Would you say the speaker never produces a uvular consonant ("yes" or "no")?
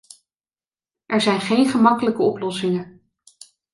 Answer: no